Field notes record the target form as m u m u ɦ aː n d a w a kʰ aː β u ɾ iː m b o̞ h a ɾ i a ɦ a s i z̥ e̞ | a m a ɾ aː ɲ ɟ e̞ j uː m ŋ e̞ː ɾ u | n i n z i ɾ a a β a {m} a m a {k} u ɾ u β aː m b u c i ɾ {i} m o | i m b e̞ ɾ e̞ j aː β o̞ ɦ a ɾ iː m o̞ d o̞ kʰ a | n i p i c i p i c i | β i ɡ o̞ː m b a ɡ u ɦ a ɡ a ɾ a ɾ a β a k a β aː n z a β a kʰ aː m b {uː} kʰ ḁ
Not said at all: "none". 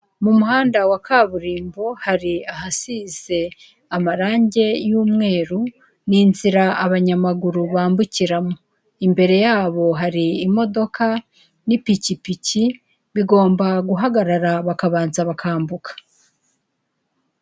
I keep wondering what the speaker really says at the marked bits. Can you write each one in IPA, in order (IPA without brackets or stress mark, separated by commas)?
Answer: ɲ, ɡ, a, u